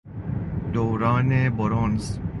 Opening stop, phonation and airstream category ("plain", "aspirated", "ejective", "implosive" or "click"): plain